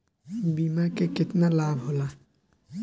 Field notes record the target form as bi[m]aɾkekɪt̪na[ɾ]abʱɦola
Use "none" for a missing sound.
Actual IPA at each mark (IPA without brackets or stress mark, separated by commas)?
m, l